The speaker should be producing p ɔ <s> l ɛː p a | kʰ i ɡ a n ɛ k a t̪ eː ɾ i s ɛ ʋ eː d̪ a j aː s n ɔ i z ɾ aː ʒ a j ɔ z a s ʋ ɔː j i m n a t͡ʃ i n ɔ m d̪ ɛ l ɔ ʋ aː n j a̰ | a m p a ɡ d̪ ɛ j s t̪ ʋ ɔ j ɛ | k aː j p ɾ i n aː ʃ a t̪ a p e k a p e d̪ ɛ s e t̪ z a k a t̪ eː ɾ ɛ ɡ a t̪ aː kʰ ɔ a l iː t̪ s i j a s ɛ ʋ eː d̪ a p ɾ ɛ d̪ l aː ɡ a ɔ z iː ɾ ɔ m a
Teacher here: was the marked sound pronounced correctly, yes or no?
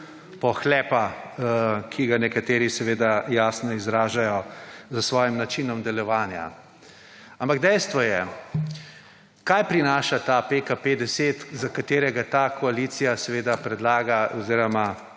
no